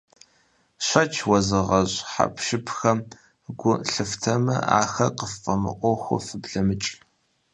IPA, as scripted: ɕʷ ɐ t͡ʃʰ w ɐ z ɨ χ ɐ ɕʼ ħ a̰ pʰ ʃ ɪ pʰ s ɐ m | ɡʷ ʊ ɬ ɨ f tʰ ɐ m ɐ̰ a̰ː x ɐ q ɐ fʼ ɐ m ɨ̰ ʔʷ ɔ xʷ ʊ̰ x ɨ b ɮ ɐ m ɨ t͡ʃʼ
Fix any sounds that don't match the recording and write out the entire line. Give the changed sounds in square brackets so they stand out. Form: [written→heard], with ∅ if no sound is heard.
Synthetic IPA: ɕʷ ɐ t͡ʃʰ w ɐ z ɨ [χ→ʁ] ɐ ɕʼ ħ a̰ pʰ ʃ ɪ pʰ [s→x] ɐ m | ɡʷ ʊ ɬ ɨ f tʰ ɐ m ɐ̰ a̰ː x ɐ q [ɐ→ə] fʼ ɐ m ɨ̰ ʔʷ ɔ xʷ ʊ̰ [x→f] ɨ b ɮ ɐ m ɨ t͡ʃʼ